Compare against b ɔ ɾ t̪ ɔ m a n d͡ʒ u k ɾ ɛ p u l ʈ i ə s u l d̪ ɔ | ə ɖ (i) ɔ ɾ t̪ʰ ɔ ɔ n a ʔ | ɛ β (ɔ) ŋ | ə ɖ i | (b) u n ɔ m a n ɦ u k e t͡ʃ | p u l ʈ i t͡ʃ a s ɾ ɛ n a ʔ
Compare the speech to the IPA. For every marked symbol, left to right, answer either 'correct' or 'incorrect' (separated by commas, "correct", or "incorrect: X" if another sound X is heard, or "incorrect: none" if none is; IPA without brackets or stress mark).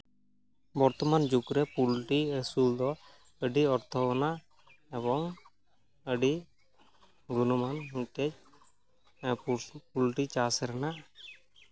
correct, correct, incorrect: ɡ